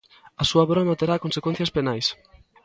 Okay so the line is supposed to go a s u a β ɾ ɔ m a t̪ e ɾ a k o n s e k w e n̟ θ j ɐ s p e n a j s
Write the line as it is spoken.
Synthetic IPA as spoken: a s u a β ɾ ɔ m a t̪ e ɾ a k o n s e k w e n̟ θ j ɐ s p e n a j s